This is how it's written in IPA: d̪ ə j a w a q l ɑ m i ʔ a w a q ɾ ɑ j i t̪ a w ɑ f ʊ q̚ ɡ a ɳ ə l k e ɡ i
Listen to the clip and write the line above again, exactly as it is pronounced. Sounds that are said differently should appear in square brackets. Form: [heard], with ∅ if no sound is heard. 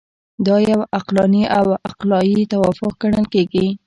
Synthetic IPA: d̪ [ɑ] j a w a q l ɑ [n] i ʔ a w a q [l] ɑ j i t̪ a w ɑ f ʊ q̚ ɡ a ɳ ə l k e ɡ i